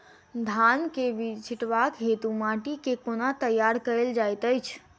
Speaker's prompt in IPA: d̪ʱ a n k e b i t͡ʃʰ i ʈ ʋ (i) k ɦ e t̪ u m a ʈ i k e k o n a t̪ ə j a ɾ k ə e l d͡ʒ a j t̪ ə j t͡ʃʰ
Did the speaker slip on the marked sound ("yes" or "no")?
yes